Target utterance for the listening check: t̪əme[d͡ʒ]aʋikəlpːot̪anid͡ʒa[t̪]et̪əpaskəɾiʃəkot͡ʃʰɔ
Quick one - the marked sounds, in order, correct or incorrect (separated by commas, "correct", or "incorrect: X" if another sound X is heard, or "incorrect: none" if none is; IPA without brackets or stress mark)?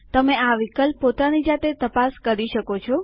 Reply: incorrect: none, correct